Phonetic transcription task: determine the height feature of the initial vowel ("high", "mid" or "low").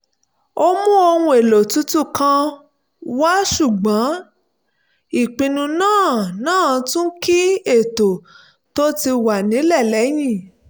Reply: mid